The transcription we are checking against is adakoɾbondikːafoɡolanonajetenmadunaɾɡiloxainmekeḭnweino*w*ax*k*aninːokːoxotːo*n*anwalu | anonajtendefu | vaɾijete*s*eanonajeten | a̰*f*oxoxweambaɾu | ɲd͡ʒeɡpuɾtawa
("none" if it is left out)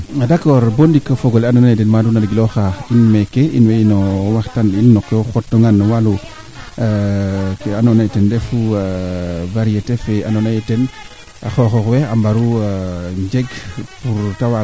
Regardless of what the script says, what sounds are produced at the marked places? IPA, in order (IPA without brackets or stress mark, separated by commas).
w, t, ŋ, f, x